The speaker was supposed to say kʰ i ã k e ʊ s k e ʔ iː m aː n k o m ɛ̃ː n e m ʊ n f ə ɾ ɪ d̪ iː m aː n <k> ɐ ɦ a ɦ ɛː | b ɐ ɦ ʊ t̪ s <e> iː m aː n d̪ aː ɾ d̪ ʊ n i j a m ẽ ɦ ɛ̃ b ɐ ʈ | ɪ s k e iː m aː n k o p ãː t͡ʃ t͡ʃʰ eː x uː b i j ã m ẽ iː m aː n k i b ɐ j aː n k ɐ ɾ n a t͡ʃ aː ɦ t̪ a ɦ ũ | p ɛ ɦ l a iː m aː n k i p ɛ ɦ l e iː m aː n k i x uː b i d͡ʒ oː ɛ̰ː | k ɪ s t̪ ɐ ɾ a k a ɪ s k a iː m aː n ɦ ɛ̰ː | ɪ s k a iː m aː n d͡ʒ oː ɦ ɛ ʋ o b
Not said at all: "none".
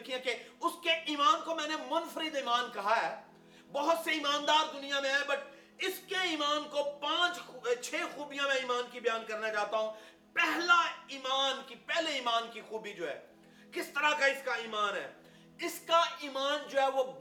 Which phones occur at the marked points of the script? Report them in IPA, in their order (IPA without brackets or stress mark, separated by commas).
k, e